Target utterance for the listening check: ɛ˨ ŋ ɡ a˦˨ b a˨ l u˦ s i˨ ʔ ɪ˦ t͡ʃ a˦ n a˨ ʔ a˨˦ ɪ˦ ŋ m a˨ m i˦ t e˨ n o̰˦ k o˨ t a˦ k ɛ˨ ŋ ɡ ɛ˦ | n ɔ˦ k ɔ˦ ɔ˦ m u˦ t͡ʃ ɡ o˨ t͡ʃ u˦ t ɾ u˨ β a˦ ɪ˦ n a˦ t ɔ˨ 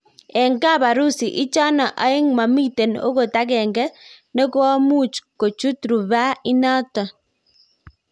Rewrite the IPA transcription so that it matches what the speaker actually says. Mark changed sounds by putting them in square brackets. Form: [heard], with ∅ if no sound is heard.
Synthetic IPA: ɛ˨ ŋ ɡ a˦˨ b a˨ [ɾ] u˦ s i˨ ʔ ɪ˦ t͡ʃ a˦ n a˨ ʔ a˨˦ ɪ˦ ŋ m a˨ m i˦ t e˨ n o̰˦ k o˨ t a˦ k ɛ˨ ŋ ɡ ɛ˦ | n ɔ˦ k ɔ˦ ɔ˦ m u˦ t͡ʃ [k] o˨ t͡ʃ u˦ t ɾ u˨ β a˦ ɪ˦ n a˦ t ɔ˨